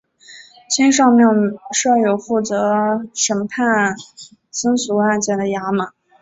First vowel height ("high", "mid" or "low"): high